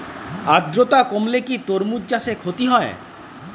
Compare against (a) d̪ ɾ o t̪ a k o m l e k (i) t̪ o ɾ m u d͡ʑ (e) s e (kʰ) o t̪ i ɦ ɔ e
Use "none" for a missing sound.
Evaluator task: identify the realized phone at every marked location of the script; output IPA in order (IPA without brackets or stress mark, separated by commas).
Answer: a, i, a, kʰ